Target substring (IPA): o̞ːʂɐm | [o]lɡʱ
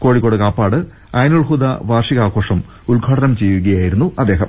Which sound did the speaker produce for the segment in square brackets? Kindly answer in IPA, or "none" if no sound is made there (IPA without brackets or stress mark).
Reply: u